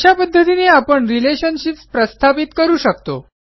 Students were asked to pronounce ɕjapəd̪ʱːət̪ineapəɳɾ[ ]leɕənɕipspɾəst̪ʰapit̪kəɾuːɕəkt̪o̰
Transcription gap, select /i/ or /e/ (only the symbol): i